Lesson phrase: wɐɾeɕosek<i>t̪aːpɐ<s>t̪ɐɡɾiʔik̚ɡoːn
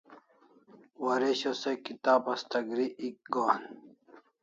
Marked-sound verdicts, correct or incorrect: correct, correct

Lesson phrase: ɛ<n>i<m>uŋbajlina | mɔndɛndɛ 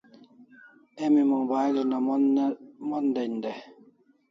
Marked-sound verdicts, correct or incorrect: incorrect, correct

